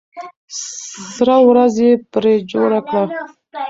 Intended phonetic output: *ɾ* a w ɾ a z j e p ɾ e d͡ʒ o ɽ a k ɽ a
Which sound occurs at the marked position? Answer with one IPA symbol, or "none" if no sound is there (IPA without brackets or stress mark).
ɾ